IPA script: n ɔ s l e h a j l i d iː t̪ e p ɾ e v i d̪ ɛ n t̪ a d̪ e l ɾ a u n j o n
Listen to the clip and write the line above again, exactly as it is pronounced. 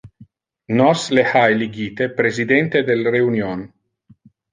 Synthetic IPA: n ɔ s l e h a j l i ɡ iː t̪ e p ɾ e z i d̪ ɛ n t̪ e d̪ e l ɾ e u n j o n